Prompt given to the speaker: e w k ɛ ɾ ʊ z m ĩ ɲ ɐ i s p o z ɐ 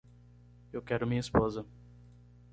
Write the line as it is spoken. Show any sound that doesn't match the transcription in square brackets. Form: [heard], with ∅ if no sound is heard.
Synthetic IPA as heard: e w k ɛ ɾ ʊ [∅] m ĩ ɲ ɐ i s p o z ɐ